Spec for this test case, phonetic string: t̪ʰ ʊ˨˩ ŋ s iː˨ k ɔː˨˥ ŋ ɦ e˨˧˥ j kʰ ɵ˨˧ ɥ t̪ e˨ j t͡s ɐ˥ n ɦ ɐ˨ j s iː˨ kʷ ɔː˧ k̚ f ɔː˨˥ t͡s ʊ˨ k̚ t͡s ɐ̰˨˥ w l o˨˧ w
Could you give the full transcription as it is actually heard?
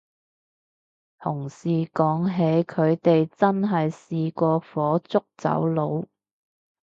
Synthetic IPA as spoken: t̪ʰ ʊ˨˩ ŋ s iː˨ k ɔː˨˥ ŋ ɦ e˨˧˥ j kʰ ɵ˨˧ ɥ t̪ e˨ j t͡s ɐ˥ n ɦ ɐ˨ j s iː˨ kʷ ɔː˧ f ɔː˨˥ t͡s ʊ˥ k̚ t͡s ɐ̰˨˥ w l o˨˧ w